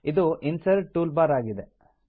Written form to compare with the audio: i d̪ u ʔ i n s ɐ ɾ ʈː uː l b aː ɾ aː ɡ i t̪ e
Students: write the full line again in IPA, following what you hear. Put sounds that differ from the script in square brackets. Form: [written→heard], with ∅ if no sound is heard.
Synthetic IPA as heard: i d̪ u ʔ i n s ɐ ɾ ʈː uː l b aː ɾ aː ɡ i [t̪→d̪] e